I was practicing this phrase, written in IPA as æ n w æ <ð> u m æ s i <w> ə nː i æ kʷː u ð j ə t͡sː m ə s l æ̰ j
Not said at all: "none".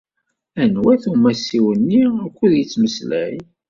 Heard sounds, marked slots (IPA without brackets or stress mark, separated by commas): θ, w